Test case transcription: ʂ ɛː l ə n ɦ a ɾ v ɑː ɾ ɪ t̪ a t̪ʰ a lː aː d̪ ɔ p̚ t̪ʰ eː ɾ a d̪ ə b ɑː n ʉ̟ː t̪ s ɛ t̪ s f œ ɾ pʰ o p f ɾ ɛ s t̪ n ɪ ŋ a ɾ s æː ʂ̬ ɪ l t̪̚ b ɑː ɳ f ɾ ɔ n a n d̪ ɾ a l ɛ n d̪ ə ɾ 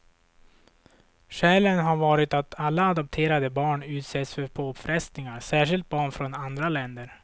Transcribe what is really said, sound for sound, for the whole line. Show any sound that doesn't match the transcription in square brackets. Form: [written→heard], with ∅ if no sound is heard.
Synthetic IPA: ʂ ɛː l ə n ɦ a ɾ v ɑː ɾ ɪ t̪ a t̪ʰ a lː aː d̪ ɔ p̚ t̪ʰ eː ɾ a d̪ ə b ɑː [n→ɳ] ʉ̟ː t̪ s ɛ t̪ s f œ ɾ pʰ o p f ɾ ɛ s t̪ n ɪ ŋ a ɾ s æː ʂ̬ ɪ l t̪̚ b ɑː ɳ f ɾ ɔ n a n d̪ ɾ a l ɛ n d̪ ə ɾ